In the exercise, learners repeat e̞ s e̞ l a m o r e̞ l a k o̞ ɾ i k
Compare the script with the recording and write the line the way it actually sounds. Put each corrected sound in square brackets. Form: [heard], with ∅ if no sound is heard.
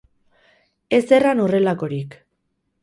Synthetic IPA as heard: e̞ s e̞ [r] a [n] o r e̞ l a k o̞ ɾ i k